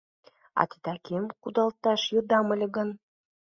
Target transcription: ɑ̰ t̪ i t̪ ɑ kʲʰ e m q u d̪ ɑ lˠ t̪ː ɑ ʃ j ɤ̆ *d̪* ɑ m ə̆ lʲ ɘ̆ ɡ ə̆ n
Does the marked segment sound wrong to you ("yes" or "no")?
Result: no